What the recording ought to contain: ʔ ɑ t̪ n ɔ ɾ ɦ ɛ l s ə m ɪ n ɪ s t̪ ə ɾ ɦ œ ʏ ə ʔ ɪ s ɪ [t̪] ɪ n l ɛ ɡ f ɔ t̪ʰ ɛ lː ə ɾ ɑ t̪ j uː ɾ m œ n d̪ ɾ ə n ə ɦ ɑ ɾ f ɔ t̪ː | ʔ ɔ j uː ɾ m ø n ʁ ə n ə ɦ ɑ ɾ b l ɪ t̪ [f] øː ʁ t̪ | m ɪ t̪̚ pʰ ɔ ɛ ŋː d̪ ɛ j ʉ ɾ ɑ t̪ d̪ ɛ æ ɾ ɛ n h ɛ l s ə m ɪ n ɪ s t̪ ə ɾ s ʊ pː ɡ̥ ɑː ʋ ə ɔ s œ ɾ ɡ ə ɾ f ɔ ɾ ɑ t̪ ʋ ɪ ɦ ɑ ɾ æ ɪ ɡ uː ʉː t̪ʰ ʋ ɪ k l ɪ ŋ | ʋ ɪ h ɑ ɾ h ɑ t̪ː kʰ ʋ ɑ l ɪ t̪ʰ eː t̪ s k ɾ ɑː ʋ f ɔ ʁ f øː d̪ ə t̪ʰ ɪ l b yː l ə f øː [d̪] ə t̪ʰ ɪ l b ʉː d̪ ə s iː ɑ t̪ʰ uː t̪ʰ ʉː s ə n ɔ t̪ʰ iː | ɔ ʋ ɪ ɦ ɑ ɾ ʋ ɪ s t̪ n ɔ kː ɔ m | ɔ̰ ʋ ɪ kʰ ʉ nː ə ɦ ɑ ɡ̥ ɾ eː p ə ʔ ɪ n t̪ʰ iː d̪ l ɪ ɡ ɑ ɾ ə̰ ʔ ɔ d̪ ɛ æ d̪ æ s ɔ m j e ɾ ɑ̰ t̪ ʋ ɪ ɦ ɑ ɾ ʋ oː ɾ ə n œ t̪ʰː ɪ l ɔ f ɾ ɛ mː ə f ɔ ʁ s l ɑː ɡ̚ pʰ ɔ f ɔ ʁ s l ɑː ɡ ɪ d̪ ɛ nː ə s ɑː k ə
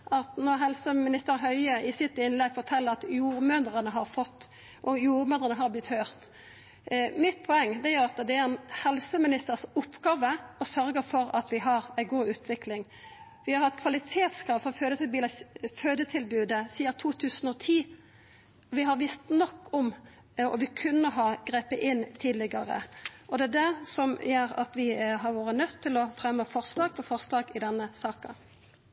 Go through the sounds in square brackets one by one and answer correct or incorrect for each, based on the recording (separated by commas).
correct, incorrect, correct